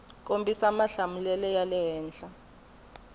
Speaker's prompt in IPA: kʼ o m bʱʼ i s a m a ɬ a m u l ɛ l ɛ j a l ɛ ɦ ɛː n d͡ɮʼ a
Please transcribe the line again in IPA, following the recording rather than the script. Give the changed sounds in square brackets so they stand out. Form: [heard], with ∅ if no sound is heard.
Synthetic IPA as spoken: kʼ o m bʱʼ i s a m a ɬ a m u l ɛ l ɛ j a l ɛ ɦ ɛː n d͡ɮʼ a